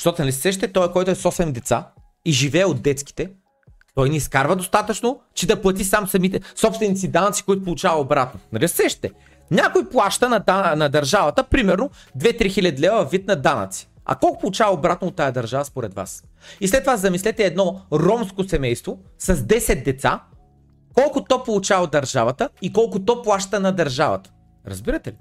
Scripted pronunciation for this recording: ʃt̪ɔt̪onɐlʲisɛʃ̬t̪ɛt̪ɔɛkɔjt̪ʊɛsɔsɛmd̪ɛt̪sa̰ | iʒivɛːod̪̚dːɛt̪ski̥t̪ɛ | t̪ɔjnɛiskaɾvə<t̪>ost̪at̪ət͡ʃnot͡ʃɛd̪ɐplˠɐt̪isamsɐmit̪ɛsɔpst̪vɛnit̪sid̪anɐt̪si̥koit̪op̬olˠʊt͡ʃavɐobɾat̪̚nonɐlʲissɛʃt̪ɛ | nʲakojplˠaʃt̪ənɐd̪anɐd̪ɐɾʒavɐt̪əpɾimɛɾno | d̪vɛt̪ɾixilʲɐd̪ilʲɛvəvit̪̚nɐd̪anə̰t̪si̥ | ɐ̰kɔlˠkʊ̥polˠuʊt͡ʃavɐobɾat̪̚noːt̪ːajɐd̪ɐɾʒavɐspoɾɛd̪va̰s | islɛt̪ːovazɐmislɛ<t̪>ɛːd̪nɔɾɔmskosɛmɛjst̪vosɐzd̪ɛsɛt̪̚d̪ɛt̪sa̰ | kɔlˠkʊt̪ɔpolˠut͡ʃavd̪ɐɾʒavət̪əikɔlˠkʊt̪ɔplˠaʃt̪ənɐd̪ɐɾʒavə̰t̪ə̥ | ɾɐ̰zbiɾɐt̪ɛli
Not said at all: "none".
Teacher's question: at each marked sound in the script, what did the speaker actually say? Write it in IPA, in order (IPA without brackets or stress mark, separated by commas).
d̪, t̪